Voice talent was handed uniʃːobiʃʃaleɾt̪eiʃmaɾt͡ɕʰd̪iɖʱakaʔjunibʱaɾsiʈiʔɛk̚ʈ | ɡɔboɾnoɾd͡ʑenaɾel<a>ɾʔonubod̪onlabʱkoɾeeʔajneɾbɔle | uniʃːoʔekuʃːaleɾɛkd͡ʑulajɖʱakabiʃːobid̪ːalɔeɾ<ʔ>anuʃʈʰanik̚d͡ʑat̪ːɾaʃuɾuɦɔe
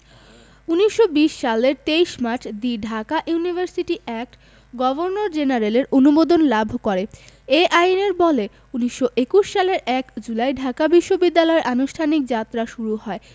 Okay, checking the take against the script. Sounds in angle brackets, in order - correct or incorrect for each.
incorrect, correct

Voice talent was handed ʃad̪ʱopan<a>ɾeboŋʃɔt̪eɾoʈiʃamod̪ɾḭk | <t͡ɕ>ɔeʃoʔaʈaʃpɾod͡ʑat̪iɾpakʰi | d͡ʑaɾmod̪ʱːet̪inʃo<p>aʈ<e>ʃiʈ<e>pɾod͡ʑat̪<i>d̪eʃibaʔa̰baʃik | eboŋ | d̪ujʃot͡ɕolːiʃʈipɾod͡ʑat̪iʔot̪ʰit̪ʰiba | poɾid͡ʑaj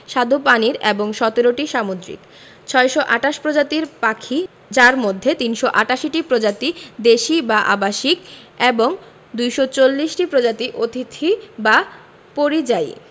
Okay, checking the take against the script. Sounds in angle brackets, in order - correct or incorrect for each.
incorrect, incorrect, incorrect, incorrect, incorrect, correct

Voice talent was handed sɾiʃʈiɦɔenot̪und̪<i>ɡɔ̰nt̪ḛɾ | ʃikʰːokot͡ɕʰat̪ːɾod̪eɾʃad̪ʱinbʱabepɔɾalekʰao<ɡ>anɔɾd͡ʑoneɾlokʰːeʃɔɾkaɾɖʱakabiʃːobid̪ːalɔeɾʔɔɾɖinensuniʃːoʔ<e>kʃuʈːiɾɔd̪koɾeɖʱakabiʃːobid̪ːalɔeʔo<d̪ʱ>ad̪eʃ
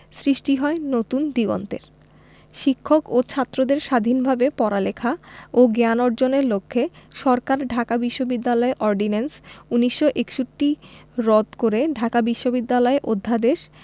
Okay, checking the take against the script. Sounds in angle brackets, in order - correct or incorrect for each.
correct, correct, correct, incorrect

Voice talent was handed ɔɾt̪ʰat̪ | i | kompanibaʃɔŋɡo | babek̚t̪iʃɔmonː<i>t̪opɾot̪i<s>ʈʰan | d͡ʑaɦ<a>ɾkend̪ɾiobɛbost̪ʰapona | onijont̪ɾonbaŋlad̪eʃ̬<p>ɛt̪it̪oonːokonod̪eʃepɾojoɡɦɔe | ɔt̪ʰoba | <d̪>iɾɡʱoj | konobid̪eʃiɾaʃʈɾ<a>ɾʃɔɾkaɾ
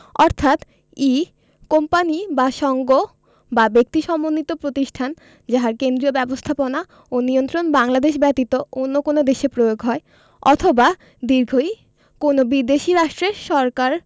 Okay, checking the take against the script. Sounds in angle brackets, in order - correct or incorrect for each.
correct, incorrect, correct, incorrect, correct, incorrect

